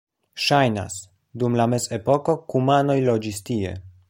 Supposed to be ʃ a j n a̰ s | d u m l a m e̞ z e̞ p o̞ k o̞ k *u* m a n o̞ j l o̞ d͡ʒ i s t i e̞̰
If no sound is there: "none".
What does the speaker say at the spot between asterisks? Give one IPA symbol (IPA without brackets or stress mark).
u